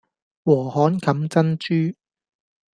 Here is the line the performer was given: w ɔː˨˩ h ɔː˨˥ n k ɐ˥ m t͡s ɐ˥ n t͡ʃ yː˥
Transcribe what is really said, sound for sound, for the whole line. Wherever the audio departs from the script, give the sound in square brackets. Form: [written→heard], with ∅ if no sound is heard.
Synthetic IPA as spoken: w ɔː˨˩ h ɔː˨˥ n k [ɐ˥→ɐ˨˥] m t͡s ɐ˥ n t͡ʃ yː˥